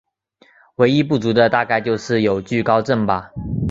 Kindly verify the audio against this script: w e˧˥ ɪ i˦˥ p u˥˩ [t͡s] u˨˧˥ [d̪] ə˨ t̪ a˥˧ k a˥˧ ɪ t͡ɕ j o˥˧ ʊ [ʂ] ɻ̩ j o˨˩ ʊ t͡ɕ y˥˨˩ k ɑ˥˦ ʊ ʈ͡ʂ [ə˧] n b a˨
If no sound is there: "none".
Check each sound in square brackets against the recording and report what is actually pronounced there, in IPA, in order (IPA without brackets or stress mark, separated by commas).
t͡s, d̪, ʂ, ə˥˩